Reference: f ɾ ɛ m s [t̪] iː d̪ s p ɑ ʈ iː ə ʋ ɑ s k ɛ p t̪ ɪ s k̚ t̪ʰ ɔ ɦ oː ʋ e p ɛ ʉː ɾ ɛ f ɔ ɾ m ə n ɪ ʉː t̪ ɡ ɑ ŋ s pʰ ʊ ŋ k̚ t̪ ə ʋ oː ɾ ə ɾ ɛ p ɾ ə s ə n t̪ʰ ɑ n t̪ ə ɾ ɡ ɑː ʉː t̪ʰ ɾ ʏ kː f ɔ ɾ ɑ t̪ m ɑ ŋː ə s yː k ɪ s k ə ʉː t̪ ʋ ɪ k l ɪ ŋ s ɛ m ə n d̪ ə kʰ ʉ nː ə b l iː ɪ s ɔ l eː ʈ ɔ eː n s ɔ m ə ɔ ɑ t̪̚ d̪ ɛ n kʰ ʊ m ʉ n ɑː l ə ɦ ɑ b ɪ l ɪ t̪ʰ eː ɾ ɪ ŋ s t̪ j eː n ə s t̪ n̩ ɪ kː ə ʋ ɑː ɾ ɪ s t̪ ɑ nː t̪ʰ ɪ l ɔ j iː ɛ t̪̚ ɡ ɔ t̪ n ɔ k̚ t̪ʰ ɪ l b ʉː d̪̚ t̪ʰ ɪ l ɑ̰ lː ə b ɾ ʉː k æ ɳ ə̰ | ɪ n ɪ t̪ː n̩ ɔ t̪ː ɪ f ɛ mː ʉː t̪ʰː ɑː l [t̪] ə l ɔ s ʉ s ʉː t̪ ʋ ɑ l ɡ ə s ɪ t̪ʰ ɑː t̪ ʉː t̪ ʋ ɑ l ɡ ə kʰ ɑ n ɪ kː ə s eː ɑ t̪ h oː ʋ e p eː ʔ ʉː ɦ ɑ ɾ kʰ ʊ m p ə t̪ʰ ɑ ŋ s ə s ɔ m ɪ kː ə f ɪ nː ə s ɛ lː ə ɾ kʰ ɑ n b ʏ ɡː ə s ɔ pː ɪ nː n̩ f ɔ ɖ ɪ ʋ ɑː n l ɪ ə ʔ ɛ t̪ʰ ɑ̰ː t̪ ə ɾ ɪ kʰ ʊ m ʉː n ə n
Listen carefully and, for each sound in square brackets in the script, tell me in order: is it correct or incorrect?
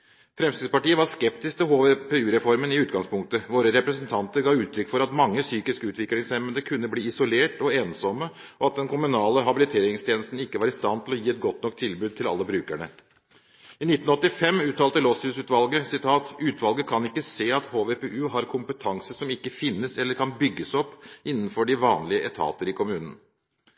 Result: correct, correct

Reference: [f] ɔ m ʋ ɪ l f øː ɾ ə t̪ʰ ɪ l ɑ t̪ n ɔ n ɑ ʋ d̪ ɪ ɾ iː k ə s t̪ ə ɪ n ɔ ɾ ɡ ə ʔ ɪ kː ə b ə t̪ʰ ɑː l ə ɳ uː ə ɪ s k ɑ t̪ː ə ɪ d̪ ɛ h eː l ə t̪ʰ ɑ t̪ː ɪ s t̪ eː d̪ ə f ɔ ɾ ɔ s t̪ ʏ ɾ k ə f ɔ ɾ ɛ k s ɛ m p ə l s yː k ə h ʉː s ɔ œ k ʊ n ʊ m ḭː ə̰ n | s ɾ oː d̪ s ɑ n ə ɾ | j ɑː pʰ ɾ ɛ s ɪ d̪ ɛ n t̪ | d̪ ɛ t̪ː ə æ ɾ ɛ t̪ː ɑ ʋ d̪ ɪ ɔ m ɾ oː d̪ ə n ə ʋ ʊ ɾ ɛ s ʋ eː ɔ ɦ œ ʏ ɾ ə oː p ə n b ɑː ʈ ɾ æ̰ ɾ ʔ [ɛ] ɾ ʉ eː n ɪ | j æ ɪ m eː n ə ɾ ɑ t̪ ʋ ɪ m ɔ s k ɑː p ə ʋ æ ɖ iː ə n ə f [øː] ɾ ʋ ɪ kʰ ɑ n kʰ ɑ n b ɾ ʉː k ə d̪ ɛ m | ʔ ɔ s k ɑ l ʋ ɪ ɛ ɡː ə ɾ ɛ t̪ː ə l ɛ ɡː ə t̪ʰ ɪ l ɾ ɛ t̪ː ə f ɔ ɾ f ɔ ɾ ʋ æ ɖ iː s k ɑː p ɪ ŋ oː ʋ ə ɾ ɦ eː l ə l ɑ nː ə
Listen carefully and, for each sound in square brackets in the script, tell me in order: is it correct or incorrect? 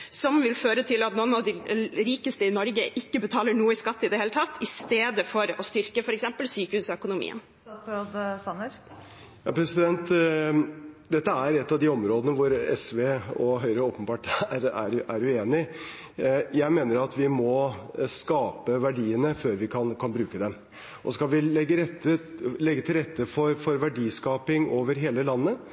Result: incorrect, incorrect, correct

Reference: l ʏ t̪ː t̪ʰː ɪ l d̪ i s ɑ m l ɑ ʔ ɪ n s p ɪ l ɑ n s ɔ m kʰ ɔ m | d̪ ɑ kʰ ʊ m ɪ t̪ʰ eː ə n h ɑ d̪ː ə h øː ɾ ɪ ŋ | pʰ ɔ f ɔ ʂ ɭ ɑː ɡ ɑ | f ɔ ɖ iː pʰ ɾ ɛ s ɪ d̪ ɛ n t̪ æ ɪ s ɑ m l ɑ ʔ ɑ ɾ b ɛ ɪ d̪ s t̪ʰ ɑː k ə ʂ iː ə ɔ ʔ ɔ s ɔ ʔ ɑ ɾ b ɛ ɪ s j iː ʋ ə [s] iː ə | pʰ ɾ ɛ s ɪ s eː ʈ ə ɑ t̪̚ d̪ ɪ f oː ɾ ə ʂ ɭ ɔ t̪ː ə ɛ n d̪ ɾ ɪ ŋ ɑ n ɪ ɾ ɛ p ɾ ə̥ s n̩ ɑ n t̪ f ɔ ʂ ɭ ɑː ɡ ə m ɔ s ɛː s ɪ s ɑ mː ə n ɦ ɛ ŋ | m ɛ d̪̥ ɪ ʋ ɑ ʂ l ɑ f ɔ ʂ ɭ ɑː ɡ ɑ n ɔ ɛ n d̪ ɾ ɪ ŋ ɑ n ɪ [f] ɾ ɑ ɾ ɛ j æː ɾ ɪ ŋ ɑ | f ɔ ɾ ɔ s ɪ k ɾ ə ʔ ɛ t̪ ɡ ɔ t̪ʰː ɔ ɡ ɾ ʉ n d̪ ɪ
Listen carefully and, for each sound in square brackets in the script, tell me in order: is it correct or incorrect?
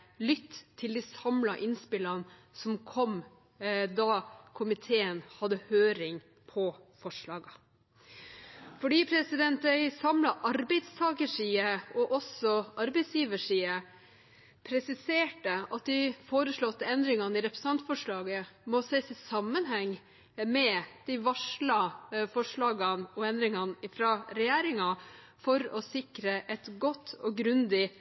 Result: incorrect, correct

